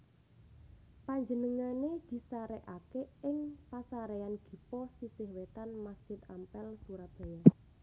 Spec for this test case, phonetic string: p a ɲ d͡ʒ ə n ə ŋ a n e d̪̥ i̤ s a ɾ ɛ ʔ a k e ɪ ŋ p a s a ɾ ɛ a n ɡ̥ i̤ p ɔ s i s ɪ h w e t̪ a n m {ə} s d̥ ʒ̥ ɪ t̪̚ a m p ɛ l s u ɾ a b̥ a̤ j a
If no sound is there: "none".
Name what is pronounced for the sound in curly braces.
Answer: a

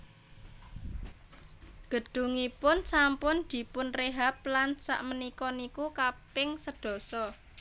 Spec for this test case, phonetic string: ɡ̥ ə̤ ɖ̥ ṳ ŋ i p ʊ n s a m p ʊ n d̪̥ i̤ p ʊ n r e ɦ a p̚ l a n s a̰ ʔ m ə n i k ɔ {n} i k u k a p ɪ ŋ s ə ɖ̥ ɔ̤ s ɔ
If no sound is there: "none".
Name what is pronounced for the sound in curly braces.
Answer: n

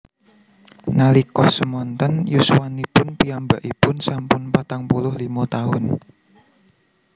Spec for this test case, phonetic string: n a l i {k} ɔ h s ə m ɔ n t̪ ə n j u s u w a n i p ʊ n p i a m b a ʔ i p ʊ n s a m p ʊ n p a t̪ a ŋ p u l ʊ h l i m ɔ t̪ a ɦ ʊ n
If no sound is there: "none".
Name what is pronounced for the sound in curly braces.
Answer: k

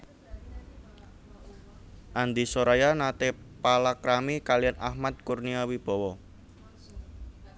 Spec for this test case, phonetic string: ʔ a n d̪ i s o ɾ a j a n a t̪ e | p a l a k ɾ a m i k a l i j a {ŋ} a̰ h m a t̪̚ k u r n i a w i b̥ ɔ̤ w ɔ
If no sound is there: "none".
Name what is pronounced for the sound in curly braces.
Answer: n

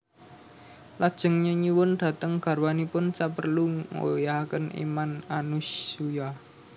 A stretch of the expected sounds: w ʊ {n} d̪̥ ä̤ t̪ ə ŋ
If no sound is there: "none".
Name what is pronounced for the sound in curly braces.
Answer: n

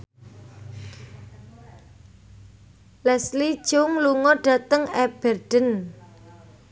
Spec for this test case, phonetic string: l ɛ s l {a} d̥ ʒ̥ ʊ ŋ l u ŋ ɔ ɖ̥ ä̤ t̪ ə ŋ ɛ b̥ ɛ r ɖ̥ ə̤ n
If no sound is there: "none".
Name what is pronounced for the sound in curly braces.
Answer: i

